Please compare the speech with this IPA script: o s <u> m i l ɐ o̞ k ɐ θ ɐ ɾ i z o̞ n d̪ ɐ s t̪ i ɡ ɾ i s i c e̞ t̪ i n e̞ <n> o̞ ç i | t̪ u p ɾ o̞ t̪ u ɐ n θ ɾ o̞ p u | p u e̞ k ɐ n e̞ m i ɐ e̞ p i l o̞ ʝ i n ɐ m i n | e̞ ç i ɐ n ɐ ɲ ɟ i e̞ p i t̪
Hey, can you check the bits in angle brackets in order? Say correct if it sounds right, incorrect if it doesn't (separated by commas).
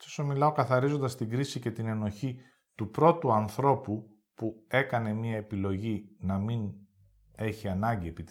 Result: incorrect, correct